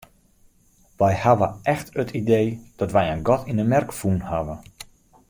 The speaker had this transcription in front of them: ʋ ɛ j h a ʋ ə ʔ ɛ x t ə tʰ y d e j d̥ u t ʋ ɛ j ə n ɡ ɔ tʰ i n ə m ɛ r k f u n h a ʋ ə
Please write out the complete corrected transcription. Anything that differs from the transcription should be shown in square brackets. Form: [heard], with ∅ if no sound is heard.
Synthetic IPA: ʋ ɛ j h a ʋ ə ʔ ɛ x t ə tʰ [i] d e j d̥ [ɔ] t ʋ ɛ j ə n ɡ ɔ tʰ i n ə m ɛ r k f u n h a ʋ ə

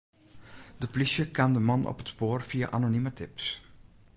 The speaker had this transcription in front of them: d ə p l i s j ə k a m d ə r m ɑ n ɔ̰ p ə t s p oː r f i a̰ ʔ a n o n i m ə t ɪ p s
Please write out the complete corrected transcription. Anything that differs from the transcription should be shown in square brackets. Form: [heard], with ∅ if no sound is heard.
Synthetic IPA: d ə p l i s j ə k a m d ə [∅] m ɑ n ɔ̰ p ə t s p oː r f i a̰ ʔ a n o n i m ə t ɪ p s

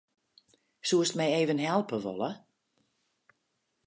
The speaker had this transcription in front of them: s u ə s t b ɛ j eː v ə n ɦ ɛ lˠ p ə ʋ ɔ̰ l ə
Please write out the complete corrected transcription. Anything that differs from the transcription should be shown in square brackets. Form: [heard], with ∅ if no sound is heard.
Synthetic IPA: s u ə s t [m] ɛ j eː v ə n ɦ ɛ lˠ p ə ʋ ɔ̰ l ə

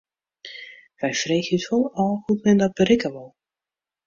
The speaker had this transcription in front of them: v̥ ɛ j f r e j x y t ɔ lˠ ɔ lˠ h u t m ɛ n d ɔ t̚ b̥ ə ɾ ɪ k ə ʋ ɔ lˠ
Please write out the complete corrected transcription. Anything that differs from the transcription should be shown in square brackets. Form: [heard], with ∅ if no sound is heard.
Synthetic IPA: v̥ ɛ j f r e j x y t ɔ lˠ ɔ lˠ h u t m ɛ n d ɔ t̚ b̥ ə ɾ ɪ k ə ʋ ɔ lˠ

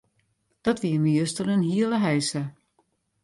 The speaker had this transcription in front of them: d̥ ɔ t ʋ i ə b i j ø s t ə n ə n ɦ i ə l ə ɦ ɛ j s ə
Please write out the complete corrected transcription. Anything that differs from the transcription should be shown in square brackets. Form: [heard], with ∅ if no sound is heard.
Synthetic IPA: d̥ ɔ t ʋ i ə [m] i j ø s t ə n ə n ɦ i ə l ə ɦ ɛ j s ə

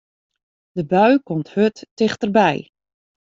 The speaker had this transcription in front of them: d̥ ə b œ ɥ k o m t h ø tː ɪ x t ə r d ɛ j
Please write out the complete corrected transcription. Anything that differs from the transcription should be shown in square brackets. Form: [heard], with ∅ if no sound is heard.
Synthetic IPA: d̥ ə b œ ɥ k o m t h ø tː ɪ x t ə r [b] ɛ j

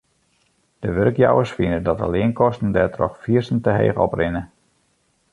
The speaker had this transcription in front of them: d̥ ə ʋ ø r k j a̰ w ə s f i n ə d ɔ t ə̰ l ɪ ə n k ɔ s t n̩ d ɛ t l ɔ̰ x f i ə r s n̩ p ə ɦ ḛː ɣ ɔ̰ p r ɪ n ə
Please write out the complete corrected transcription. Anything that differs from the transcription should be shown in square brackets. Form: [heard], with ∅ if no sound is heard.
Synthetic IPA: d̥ ə ʋ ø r k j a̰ w ə s f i n ə d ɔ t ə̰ l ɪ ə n k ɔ s t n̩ d ɛ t [r] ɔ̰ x f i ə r s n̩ [t] ə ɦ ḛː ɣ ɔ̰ p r ɪ n ə

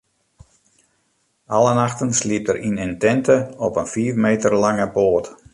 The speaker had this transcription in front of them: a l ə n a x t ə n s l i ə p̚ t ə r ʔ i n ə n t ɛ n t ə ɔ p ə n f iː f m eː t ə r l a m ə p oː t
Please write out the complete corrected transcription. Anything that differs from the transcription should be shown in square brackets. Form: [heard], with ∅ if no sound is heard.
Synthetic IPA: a l ə n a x t ə n s l i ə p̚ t ə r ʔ i n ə n t ɛ n t ə ɔ p ə n f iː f m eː t ə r l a [ŋ] ə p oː t

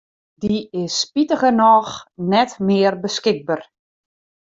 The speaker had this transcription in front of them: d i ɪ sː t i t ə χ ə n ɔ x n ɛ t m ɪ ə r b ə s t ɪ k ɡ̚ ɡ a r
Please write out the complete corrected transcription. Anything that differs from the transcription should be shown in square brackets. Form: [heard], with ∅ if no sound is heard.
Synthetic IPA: d i ɪ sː [p] i t ə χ ə n ɔ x n ɛ t m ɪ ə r b ə s [k] ɪ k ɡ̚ [b] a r

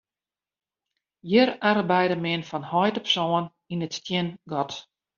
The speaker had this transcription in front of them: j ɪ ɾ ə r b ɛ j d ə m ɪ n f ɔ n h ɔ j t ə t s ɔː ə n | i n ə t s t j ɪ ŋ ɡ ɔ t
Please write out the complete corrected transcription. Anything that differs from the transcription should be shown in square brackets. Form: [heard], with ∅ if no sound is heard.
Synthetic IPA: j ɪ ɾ [a] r b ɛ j d ə m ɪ n f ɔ n h ɔ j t ə [p] s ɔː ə n | i n ə t s t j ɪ [n] ɡ ɔ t

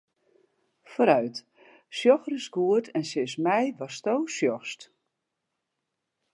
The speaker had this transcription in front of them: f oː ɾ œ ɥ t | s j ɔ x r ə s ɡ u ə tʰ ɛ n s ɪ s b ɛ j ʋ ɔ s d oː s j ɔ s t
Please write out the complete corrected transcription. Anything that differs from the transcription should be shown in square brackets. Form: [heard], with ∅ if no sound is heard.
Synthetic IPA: f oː ɾ œ ɥ t | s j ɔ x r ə s ɡ u ə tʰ ɛ n s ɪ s [m] ɛ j ʋ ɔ s [t] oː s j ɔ s t

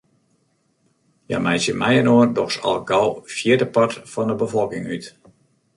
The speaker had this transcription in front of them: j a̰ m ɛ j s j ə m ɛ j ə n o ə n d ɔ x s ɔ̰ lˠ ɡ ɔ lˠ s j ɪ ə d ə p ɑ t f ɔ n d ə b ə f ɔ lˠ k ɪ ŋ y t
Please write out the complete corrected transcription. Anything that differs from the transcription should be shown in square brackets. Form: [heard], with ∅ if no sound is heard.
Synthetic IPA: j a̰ m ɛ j s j ə m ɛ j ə n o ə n d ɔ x s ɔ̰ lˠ ɡ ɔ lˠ [f] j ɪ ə d ə p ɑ t f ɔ n d ə b ə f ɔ lˠ k ɪ ŋ y t

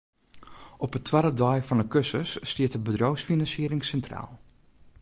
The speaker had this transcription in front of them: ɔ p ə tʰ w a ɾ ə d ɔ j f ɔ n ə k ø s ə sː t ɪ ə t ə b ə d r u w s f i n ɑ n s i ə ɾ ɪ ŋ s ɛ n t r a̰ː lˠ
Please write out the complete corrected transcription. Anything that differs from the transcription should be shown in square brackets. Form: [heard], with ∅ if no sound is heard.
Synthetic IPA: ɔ p ə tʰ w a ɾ ə d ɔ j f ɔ n ə k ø s ə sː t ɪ ə t ə b ə d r [o] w s f i n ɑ n s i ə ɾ ɪ ŋ s ɛ n t r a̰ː lˠ

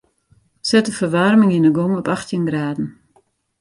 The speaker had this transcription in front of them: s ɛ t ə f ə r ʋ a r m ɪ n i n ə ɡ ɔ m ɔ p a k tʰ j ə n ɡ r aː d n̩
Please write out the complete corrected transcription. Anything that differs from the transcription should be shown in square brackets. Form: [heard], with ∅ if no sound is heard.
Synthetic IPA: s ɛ t ə f ə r ʋ a r m ɪ [ŋ] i n ə ɡ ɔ [ŋ] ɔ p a [x] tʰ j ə n ɡ r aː d n̩

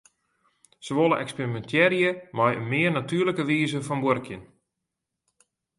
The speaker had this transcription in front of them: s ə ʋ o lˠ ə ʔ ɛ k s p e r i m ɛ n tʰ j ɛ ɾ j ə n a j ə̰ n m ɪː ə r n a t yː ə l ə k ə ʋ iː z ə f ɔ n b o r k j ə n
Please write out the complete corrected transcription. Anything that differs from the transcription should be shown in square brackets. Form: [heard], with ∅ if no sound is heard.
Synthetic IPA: s ə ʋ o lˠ ə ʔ ɛ k s p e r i m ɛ n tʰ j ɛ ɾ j ə [m] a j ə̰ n m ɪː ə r n a t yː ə l ə k ə ʋ iː z ə f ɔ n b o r k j ə n

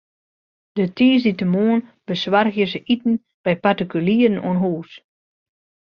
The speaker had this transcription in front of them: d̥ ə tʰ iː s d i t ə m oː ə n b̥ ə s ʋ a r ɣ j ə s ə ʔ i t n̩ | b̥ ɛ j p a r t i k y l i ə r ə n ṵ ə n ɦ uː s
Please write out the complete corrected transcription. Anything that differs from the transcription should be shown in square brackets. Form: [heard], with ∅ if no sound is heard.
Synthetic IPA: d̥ ə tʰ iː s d i t ə m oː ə n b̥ ə s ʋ a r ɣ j ə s ə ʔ i t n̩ | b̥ ɛ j p a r t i k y l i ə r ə n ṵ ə n ɦ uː s

